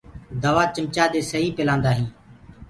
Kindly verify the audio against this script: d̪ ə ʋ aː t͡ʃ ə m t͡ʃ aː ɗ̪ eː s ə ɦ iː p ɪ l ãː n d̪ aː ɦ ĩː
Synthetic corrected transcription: d̪ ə ʋ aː t͡ʃ ə m t͡ʃ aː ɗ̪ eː s ə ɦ iː p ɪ l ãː n d̪ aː ɦ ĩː